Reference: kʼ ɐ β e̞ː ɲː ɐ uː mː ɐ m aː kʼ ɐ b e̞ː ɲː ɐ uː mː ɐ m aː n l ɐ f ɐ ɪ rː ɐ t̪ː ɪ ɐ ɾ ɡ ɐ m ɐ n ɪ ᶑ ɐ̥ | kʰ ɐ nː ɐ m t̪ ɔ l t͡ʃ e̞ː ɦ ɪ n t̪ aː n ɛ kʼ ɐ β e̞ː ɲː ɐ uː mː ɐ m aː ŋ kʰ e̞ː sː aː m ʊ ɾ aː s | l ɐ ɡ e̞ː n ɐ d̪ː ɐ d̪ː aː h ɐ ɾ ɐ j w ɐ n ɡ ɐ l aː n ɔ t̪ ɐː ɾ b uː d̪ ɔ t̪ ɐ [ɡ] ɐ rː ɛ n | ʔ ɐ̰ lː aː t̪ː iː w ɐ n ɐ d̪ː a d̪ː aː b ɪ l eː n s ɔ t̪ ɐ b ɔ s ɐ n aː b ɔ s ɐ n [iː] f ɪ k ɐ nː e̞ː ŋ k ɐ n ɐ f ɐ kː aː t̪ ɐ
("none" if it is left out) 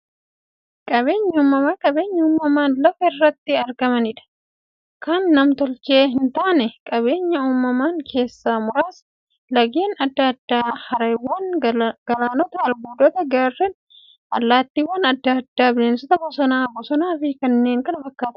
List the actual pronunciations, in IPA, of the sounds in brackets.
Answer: ɡ, aː

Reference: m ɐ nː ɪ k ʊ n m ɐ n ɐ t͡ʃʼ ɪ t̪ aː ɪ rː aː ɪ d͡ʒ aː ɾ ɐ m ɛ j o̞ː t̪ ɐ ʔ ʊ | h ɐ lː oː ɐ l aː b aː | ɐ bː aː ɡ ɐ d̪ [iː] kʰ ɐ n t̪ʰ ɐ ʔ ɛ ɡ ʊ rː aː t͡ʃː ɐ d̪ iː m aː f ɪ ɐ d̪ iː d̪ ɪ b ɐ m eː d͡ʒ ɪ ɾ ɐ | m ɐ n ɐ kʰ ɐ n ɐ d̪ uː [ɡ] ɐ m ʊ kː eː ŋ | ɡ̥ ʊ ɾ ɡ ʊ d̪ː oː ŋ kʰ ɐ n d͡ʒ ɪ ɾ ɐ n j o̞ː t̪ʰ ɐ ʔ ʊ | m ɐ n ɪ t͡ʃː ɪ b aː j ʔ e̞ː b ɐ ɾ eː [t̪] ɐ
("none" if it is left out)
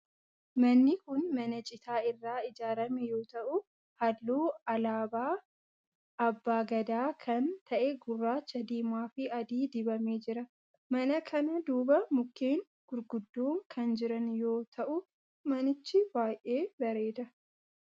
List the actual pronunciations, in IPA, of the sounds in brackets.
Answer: aː, b, d̪

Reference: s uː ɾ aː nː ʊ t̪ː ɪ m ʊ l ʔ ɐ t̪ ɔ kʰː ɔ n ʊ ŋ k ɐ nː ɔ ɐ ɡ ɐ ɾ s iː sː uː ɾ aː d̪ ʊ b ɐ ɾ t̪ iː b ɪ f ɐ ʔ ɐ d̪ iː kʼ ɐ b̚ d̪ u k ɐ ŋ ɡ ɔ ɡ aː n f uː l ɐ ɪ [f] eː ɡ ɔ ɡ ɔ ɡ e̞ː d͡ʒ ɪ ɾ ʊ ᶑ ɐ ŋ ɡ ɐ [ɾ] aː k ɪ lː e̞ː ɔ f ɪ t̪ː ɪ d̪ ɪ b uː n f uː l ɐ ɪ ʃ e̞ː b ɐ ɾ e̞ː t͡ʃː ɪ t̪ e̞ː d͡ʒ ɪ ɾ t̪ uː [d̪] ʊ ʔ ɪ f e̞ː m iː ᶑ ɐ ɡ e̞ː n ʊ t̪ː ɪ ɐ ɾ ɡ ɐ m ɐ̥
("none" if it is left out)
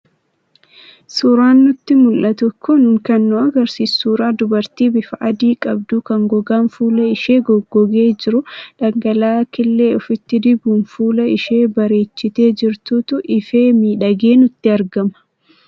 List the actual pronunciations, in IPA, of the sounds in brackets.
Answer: ʃ, l, t̪

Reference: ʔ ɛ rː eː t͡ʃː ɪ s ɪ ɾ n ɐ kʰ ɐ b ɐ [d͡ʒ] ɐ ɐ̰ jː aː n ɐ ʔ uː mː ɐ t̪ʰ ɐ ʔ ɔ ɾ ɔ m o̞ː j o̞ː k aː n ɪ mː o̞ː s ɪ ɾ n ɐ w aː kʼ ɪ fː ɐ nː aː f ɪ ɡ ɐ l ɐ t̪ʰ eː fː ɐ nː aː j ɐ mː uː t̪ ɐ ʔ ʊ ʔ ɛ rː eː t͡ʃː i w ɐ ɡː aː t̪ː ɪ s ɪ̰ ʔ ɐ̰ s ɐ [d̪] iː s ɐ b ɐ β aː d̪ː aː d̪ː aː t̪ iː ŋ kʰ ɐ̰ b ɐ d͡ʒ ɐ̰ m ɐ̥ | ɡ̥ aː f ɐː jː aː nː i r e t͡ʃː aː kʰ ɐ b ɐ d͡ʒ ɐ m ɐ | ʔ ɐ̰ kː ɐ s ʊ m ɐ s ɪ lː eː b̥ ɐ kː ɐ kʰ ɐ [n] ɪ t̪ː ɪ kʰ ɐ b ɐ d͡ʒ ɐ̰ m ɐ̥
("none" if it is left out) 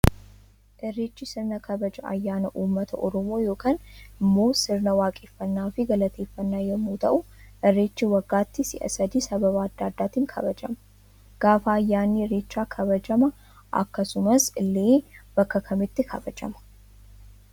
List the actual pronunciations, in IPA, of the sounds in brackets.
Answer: d͡ʒ, d̪, m

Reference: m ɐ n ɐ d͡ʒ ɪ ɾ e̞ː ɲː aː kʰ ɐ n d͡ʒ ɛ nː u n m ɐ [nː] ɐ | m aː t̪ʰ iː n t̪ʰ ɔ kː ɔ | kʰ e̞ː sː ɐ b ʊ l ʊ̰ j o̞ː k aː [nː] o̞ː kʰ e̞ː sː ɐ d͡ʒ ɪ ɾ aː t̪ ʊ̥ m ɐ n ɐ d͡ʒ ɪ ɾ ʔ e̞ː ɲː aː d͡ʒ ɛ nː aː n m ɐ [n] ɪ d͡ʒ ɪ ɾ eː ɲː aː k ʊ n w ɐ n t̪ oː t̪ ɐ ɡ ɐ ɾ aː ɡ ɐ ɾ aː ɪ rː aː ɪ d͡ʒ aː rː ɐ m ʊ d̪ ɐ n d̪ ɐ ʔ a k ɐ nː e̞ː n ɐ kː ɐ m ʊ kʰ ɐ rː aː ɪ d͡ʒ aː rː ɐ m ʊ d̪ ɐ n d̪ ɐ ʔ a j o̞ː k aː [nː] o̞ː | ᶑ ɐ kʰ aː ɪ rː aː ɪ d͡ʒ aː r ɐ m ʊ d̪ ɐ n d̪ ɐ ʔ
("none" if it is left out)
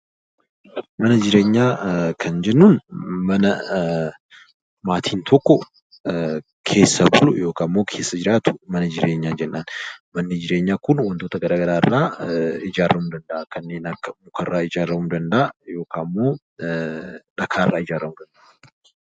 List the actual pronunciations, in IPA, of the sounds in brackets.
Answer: n, mː, nː, mː

